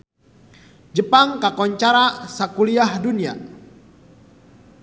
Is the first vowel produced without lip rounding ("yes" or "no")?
yes